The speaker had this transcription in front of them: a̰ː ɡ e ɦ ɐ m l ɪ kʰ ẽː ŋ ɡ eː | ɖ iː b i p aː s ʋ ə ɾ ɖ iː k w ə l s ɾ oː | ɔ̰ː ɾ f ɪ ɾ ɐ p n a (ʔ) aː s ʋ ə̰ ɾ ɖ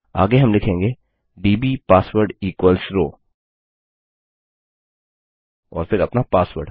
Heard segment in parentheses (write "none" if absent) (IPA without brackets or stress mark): p